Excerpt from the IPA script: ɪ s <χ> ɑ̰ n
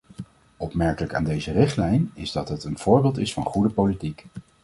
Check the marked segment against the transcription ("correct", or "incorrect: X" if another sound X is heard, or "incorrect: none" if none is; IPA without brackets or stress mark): incorrect: f